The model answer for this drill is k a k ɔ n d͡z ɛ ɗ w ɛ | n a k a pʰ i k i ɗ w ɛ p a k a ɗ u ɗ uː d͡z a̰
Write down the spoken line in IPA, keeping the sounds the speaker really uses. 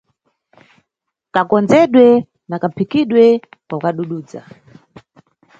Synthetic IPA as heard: k a k ɔ n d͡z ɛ ɗ w ɛ | n a k a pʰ i k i ɗ w ɛ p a k a ɗ u ɗ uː d͡z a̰